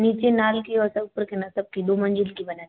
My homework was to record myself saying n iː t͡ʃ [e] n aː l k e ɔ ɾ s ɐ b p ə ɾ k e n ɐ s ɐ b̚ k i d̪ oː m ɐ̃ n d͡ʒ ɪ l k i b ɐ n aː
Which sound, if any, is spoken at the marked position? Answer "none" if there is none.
e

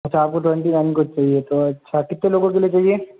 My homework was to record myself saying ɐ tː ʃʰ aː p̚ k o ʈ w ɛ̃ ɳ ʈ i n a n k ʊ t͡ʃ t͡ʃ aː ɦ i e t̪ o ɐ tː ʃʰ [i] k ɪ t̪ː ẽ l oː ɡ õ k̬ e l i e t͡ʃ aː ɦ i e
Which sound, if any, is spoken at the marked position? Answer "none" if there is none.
a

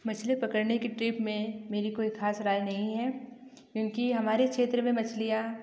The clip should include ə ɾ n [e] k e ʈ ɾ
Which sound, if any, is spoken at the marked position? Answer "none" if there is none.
e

